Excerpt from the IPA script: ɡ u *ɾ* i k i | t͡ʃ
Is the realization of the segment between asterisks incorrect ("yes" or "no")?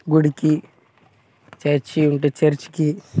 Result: yes